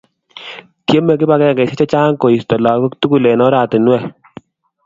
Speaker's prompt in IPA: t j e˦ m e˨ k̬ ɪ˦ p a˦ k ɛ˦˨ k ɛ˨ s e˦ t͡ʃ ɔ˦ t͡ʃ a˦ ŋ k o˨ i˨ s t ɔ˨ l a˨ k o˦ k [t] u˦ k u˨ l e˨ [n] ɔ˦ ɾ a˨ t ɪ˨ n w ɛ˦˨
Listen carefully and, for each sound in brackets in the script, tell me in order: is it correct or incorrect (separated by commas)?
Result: correct, correct